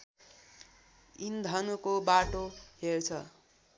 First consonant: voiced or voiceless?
voiced